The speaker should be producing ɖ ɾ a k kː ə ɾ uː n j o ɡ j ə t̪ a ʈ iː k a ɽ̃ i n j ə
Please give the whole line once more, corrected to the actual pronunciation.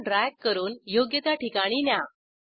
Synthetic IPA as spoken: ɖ ɾ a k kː ə ɾ uː n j o ɡ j ə t̪ a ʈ i k a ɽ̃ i n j a